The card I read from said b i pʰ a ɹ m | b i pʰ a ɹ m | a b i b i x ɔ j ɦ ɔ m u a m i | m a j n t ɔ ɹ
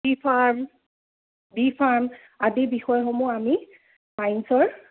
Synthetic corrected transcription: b i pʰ a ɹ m | b i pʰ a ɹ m | a d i b i x ɔ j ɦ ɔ m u a m i | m a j n s ɔ ɹ